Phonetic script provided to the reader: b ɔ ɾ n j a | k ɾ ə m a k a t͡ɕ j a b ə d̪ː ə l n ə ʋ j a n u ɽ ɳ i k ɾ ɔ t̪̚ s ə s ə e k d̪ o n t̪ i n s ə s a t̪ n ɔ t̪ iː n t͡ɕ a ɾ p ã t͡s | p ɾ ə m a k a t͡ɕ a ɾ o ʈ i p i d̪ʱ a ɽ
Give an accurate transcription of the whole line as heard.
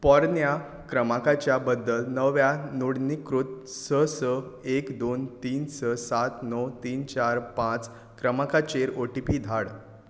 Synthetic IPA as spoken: p ɔ ɾ n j a | k ɾ ə m a k a t͡ɕ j a b ə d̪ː ə l n ə ʋ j a n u ɽ n i k ɾ u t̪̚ s ə s ə e k d̪ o n t̪ iː n s ə s a t̪ n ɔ t̪ iː n t͡ɕ a ɾ p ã t͡s | k ɾ ə m a k a t͡ɕ e ɾ o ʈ i p i d̪ʱ a ɽ

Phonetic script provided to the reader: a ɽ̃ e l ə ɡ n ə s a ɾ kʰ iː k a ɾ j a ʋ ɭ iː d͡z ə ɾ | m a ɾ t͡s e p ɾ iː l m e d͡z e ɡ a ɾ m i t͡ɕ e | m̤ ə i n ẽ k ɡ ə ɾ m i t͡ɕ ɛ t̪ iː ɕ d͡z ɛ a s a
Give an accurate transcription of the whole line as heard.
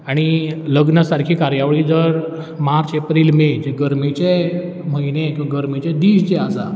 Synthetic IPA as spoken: a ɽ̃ i l ə ɡ n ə s a ɾ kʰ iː k a ɾ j a ʋ ɭ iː d͡z ə ɾ | m a ɾ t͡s e p ɾ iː l m e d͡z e ɡ ə ɾ m i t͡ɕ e | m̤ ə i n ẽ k ɡ ə ɾ m i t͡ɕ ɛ d̪ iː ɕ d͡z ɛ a s a

